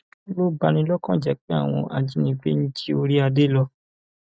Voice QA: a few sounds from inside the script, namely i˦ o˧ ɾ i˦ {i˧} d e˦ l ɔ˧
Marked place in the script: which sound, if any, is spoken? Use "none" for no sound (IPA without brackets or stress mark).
a˧